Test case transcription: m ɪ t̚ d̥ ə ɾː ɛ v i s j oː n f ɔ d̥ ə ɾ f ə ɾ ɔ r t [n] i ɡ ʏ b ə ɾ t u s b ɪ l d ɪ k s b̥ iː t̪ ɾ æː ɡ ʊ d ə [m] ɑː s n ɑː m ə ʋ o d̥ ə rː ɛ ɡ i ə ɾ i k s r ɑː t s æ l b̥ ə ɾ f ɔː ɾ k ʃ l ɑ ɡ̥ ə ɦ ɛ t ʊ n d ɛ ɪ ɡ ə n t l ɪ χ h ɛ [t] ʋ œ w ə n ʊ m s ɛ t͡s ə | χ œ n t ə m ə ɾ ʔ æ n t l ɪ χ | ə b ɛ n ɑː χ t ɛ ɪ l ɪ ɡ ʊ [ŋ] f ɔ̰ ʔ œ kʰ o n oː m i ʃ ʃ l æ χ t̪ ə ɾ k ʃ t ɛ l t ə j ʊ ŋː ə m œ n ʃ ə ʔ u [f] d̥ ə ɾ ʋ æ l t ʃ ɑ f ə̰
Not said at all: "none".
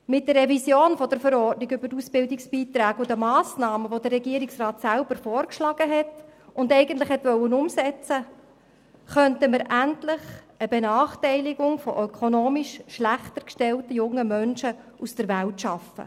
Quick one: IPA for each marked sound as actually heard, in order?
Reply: n, m, t, ŋ, s

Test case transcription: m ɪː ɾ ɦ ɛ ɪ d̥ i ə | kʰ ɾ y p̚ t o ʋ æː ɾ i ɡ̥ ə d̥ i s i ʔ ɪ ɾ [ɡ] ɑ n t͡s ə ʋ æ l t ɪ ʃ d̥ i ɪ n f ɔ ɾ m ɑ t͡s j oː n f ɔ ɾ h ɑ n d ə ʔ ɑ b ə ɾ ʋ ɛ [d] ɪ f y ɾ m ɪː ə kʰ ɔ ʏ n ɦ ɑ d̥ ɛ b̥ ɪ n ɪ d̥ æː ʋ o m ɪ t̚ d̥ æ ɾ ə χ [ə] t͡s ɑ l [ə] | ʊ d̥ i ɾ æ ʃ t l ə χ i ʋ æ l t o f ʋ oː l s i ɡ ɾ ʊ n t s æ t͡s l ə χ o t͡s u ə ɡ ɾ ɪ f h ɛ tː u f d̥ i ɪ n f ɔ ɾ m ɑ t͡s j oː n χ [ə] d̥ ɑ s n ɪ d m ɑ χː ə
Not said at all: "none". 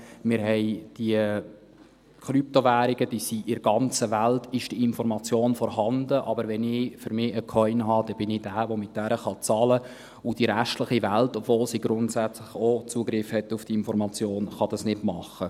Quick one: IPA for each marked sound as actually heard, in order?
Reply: ɡ, n, ɑ, ə, ɑ

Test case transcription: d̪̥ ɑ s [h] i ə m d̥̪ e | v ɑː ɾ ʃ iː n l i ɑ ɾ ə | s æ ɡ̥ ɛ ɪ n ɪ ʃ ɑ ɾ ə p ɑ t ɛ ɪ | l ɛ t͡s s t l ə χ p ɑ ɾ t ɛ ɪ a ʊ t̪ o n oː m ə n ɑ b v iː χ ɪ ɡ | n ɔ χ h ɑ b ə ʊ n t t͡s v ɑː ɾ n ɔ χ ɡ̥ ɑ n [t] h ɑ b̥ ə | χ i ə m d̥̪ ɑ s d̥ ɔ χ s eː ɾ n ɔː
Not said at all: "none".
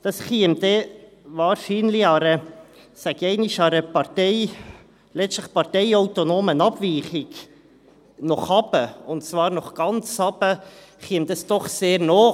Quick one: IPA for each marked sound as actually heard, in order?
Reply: χ, t͡s

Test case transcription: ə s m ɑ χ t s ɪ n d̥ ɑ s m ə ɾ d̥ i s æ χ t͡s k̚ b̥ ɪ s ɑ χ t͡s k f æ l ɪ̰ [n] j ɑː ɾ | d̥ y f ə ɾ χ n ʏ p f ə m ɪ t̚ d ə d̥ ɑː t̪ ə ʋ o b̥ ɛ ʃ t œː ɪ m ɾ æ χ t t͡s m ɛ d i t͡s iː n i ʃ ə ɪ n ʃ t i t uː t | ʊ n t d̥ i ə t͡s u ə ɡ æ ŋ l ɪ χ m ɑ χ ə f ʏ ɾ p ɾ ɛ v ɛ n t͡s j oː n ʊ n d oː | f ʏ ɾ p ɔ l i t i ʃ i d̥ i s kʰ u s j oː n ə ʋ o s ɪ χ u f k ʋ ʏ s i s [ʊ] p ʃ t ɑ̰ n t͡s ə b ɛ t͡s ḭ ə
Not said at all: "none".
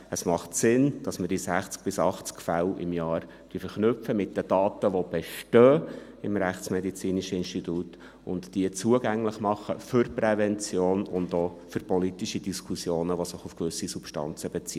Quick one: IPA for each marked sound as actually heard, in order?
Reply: m, u

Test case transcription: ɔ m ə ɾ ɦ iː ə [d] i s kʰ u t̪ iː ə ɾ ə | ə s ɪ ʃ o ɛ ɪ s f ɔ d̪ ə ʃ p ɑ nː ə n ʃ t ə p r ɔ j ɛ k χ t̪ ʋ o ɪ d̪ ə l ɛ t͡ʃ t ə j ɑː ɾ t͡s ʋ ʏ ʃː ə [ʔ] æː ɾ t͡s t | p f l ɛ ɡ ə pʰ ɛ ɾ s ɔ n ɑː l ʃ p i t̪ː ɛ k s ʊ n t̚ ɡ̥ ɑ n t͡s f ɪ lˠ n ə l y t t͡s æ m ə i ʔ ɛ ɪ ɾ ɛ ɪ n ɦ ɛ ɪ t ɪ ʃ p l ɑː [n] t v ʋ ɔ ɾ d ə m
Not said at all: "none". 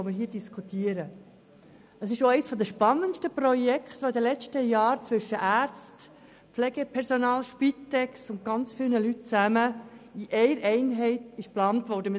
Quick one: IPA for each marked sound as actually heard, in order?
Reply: d, ʔ, n

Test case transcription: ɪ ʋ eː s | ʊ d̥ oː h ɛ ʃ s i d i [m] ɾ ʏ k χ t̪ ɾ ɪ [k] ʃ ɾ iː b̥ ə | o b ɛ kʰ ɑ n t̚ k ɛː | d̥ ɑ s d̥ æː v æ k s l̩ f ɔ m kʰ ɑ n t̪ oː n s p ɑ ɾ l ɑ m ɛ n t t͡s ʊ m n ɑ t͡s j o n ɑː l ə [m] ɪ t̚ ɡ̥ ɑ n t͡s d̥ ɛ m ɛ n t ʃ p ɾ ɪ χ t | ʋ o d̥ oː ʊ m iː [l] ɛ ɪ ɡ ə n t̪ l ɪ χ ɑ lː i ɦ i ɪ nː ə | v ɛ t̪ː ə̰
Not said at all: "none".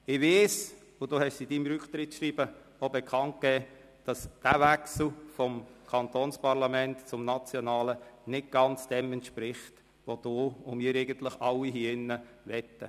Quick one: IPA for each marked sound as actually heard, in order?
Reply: m, t, n, ɾ

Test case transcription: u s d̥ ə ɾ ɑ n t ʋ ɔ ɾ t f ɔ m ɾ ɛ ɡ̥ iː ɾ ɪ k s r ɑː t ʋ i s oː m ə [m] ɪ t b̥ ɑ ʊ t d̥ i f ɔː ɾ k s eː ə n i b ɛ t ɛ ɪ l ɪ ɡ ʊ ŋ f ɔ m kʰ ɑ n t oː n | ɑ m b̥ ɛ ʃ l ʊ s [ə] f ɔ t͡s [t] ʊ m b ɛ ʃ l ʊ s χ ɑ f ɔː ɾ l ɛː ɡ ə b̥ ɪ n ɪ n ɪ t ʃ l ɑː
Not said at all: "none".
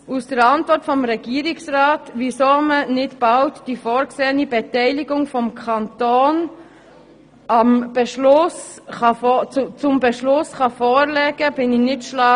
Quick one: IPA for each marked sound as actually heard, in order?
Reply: n, ɑ, t͡s

